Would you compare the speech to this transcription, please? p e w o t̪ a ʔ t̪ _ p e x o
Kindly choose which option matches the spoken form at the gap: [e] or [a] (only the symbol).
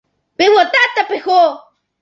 a